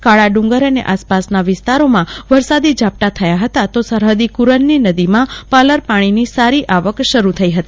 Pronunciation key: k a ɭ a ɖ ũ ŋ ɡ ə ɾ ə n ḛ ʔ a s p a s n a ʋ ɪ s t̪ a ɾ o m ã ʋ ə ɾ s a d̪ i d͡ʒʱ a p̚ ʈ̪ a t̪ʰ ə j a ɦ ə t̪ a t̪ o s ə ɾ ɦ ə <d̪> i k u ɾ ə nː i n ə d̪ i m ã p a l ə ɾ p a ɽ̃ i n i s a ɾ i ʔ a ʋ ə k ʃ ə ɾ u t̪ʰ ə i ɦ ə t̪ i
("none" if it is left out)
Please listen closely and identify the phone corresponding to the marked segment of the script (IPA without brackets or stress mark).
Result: d̪